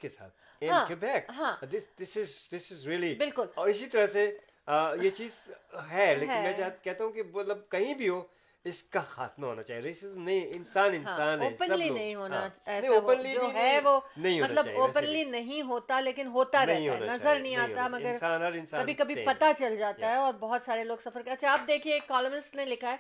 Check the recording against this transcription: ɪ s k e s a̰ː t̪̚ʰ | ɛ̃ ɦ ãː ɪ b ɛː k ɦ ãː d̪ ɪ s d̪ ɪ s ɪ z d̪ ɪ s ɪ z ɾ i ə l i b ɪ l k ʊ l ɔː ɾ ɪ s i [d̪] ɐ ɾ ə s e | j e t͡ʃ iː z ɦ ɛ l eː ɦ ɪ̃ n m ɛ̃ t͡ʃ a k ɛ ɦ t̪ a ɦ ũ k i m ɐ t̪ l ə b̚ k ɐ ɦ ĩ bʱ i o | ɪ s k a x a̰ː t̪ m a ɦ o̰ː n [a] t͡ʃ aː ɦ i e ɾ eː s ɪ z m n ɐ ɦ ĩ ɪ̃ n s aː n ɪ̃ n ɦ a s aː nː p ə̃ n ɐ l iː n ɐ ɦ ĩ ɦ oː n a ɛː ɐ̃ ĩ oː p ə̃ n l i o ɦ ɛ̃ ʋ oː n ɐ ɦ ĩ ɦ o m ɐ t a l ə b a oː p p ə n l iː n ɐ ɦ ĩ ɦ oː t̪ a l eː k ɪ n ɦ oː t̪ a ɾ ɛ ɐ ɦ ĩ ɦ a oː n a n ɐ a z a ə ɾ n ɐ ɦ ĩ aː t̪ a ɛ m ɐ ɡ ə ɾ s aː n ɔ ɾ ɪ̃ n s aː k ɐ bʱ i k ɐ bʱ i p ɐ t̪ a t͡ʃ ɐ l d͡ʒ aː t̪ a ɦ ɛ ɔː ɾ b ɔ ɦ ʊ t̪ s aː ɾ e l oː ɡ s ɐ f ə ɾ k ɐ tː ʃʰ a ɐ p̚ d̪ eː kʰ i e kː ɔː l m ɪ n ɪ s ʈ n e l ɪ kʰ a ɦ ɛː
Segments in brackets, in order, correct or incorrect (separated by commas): incorrect, correct